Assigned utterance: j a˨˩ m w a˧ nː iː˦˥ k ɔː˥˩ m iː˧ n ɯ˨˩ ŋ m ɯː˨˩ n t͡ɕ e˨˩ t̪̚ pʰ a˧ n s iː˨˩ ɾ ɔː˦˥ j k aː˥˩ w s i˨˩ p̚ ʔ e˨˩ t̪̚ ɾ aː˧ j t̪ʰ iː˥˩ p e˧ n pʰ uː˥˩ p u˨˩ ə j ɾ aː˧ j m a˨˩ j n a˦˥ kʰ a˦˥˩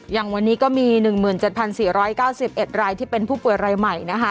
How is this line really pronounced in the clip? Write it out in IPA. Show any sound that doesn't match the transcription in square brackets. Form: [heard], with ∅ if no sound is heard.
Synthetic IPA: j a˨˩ [ŋ] w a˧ nː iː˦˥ k ɔː˥˩ m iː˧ n ɯ˨˩ ŋ m ɯː˨˩ n t͡ɕ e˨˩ t̪̚ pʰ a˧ n s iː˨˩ ɾ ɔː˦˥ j k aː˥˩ w s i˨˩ p̚ ʔ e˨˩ t̪̚ ɾ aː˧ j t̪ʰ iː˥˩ p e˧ n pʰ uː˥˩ p u˨˩ ə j ɾ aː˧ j m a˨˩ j n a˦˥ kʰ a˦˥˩